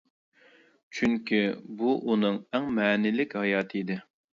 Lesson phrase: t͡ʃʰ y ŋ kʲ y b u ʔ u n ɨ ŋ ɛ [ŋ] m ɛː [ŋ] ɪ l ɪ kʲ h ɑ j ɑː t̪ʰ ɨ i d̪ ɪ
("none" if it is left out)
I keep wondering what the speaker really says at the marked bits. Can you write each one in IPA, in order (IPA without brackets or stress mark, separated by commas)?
ŋ, n